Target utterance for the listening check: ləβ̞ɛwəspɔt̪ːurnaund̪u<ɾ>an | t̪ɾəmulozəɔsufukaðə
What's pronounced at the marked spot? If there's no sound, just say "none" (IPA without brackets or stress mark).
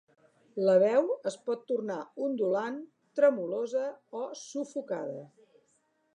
l